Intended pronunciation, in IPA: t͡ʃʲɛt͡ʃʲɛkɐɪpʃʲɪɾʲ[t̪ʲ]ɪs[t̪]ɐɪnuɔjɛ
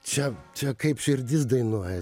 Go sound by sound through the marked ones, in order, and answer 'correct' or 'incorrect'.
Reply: incorrect: d̪ʲ, incorrect: d̪

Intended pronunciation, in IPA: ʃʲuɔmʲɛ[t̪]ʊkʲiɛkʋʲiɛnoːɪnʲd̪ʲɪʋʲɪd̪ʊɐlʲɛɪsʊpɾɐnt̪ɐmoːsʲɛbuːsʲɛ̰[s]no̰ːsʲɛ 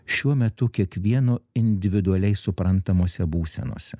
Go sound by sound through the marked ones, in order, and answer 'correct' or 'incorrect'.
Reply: correct, incorrect: none

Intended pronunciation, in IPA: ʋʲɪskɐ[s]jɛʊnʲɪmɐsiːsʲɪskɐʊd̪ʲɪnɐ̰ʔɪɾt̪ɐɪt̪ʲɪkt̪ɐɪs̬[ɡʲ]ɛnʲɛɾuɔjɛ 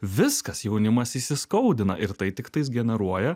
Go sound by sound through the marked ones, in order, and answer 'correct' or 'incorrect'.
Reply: correct, correct

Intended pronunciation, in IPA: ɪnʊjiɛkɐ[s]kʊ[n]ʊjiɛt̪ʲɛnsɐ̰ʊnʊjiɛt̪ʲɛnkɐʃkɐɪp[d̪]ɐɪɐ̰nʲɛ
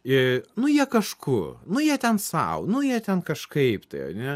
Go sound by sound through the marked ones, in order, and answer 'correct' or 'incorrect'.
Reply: incorrect: ʃ, correct, incorrect: t̪

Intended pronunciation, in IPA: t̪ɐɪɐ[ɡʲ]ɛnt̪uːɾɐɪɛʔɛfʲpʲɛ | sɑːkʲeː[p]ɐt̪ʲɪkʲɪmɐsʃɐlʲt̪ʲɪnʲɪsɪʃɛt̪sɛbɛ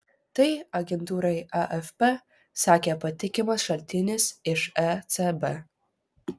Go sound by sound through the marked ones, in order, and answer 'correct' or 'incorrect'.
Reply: correct, correct

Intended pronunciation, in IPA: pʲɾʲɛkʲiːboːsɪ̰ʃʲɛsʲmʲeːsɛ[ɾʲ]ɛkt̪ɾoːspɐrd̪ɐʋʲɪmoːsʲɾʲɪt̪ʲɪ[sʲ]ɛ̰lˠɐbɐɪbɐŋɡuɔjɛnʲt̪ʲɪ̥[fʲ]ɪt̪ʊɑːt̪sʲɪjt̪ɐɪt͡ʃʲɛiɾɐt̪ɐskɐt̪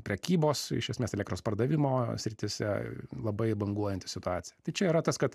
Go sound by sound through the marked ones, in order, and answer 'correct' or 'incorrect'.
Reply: incorrect: lʲ, correct, incorrect: sʲ

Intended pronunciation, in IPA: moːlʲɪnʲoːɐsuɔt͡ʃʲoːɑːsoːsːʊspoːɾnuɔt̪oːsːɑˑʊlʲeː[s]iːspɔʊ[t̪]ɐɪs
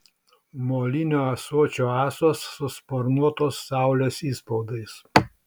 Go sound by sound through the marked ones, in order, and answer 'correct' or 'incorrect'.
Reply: correct, incorrect: d̪

